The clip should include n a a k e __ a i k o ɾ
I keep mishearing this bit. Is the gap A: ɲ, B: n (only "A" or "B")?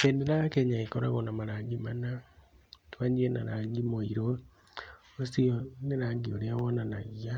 A